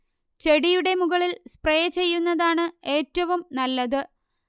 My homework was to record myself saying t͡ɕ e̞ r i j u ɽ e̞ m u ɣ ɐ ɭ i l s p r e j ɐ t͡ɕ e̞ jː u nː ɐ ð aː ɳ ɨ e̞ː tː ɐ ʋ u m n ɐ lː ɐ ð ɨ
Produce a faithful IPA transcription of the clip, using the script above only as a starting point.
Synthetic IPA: t͡ɕ e̞ ɽ i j u ɽ e̞ m u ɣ ɐ ɭ i l s p r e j ɐ t͡ɕ e̞ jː u nː ɐ ð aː ɳ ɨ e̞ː tː ɐ ʋ u m n ɐ lː ɐ ð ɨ